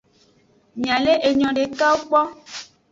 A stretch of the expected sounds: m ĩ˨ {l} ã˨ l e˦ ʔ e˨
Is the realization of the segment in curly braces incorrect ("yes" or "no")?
yes